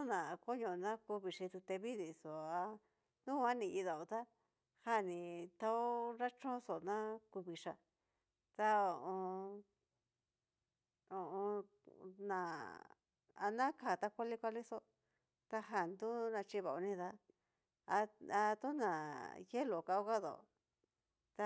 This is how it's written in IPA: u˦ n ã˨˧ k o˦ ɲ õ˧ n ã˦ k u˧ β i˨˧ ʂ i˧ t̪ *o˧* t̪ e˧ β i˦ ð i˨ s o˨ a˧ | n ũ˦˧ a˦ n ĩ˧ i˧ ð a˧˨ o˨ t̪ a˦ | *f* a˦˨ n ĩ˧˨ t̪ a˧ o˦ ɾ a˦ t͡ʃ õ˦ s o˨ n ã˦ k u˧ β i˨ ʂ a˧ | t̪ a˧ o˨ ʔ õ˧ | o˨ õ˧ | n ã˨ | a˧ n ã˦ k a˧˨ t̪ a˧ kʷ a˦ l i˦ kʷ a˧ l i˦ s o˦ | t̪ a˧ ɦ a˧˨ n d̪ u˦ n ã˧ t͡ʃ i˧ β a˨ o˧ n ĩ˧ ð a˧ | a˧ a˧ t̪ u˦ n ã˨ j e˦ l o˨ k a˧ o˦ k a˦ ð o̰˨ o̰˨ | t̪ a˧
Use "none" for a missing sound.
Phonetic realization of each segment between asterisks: u˧, h

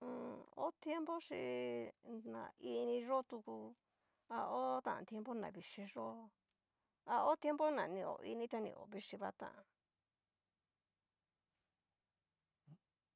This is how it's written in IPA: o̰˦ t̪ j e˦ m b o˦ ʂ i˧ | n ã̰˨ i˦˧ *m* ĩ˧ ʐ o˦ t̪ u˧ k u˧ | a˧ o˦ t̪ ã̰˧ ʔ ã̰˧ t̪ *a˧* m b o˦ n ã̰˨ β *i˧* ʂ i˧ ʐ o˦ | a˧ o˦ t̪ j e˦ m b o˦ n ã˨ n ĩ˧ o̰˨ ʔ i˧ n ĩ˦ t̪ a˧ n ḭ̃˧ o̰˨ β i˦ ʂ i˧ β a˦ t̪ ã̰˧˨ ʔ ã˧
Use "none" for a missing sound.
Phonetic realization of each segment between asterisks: n, e˧, i˧

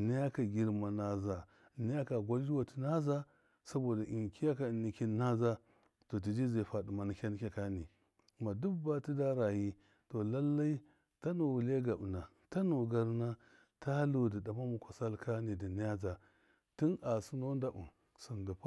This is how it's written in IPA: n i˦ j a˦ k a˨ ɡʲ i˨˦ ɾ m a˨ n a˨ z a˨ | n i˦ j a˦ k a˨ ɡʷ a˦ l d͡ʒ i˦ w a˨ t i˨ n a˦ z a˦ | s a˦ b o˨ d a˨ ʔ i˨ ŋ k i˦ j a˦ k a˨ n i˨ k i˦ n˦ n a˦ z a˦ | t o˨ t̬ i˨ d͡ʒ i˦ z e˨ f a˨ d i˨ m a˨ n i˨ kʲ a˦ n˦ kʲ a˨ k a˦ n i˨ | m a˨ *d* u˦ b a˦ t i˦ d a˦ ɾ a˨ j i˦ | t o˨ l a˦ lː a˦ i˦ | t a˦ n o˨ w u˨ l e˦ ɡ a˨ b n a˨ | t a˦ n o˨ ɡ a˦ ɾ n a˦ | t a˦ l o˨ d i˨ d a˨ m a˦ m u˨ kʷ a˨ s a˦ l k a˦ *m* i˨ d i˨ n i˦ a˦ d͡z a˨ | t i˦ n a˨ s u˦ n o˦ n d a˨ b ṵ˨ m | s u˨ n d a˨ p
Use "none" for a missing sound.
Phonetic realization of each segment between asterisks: d, n

